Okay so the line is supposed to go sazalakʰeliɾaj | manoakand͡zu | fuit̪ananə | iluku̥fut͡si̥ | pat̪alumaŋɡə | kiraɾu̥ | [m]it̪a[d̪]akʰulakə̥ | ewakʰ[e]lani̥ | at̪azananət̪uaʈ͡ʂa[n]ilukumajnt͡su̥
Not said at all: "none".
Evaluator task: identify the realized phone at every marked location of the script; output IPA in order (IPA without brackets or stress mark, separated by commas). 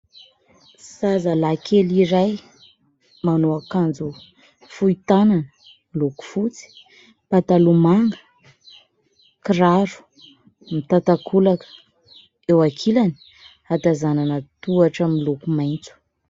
m, t̪, i, m